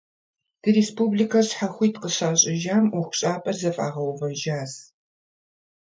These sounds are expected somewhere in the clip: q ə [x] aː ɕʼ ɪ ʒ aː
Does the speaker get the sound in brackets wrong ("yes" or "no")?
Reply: yes